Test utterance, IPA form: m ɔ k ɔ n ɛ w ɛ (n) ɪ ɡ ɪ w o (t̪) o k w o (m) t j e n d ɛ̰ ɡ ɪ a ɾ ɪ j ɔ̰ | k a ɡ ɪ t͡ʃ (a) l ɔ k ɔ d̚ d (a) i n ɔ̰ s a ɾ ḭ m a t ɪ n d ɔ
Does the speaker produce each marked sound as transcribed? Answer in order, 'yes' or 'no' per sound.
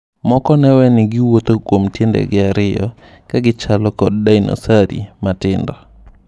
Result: yes, yes, yes, yes, yes

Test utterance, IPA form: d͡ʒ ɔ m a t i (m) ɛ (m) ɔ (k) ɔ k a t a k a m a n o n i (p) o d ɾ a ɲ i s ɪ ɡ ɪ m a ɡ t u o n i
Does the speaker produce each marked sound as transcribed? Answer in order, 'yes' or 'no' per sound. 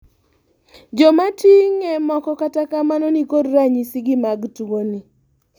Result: no, yes, yes, no

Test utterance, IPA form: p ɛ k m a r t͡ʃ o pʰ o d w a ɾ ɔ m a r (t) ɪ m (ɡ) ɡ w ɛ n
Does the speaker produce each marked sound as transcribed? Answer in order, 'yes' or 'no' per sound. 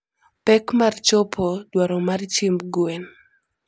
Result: no, no

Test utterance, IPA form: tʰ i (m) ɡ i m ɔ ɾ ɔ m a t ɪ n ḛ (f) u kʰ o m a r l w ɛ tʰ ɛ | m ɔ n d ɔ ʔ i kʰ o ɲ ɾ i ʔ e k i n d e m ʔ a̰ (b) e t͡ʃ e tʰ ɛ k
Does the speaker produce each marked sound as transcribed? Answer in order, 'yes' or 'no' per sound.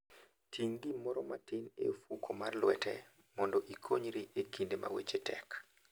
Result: no, yes, no

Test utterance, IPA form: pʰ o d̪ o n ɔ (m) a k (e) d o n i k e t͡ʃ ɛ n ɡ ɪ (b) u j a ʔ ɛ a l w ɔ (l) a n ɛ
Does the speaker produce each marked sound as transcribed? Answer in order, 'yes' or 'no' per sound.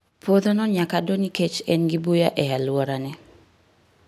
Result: no, no, yes, no

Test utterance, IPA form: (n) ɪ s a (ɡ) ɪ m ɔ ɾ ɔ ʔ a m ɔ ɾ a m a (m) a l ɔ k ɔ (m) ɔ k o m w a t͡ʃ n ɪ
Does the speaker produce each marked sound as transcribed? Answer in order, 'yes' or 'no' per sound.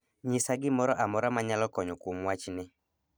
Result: no, yes, no, no

